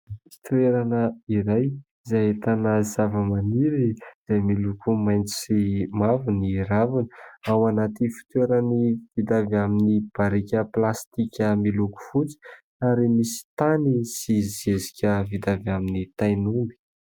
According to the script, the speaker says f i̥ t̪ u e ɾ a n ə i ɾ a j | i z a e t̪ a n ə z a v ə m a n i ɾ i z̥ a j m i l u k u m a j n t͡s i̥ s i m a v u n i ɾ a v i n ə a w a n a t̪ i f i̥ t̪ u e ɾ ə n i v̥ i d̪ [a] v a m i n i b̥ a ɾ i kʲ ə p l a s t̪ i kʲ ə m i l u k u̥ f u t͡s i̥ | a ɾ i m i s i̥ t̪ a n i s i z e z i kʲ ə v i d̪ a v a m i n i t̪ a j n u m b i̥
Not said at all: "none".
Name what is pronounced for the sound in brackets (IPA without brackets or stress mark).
a